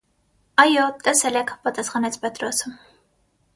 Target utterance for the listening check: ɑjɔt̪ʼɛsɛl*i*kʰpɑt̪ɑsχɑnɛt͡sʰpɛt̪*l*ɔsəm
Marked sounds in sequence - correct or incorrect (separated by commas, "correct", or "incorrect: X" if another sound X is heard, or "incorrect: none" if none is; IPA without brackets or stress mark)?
incorrect: ɛ, incorrect: ɾ